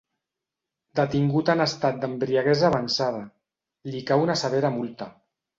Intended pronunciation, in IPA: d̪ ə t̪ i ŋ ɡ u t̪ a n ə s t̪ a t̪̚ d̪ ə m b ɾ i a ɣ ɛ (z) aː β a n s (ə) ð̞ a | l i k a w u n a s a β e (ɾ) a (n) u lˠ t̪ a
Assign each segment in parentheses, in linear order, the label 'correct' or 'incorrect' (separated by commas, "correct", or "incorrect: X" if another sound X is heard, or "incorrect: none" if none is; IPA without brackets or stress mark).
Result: correct, incorrect: a, correct, incorrect: m